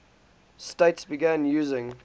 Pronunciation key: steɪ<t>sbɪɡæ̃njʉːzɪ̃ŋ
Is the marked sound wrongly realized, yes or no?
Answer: no